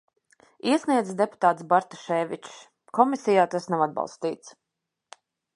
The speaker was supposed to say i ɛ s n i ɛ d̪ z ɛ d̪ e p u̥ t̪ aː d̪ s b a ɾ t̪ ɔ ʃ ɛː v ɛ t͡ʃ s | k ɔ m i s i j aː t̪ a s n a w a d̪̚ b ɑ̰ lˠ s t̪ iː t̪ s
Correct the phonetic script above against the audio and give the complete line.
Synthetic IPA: i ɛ s n i ɛ d̪ z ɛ d̪ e p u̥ t̪ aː t̪ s b a ɾ t̪ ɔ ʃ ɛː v i t͡ʃ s | k ɔ m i s i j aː t̪ a s n a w a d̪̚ b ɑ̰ lˠ s t̪ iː t̪ s